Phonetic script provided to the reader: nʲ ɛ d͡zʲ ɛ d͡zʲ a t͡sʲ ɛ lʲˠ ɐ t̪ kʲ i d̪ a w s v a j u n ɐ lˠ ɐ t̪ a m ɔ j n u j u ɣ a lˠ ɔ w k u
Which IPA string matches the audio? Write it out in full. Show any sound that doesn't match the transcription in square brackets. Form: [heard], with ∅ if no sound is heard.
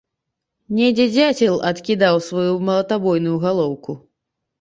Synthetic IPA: nʲ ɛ d͡zʲ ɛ d͡zʲ a t͡sʲ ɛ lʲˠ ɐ t̪ kʲ i d̪ a w s v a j u [m] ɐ lˠ ɐ t̪ a [b] ɔ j n u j u ɣ a lˠ ɔ w k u